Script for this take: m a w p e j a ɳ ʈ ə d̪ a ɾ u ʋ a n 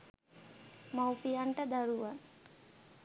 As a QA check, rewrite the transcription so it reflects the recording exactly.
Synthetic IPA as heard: m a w p i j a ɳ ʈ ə d̪ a ɾ u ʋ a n